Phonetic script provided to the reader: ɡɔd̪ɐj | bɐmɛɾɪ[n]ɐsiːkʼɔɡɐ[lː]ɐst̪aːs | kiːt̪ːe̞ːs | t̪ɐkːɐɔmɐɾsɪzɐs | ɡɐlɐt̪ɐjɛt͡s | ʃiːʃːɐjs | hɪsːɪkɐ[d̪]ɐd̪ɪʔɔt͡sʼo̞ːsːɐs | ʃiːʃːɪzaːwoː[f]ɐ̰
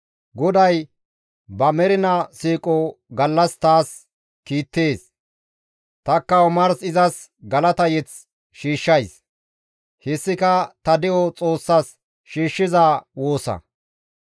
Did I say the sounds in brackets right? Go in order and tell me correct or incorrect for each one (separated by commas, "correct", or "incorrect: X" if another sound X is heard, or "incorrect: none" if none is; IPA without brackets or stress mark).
correct, correct, incorrect: t̪, incorrect: s